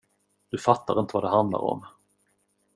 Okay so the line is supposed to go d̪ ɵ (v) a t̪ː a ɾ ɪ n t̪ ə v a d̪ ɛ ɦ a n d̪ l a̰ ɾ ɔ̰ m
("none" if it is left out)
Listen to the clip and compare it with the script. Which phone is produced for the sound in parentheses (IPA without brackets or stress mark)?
f